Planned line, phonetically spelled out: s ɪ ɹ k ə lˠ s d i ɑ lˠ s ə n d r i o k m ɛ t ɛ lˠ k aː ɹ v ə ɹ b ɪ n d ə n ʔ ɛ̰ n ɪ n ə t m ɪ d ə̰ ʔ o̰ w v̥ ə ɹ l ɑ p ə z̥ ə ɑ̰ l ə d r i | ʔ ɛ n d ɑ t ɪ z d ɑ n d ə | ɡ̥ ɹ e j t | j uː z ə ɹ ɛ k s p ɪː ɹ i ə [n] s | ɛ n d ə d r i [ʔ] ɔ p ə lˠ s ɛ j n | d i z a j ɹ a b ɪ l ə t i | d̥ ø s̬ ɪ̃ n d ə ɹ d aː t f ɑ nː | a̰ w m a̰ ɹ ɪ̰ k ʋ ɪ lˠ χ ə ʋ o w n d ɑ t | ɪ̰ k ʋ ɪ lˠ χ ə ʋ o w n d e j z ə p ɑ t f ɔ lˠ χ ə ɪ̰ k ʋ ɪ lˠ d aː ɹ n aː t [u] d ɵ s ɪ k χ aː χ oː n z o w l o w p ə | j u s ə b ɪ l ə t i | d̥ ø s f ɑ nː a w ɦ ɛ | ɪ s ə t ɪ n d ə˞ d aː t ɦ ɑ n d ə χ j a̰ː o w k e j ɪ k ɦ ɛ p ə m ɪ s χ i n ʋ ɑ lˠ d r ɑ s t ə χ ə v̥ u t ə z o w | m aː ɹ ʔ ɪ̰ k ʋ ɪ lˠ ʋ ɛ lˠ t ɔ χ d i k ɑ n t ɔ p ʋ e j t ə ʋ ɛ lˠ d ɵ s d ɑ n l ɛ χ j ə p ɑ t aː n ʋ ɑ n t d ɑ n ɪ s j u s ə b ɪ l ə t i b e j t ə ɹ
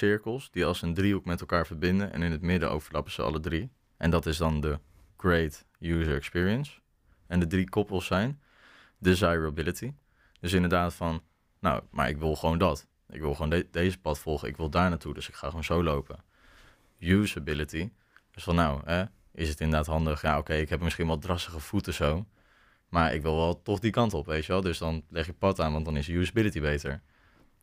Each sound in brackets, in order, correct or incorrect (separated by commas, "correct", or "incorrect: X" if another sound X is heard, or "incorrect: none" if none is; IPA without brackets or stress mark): correct, incorrect: k, correct